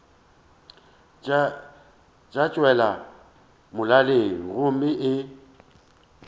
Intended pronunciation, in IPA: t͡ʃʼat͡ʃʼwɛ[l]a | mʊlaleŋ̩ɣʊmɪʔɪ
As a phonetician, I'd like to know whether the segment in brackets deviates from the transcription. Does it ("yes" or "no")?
no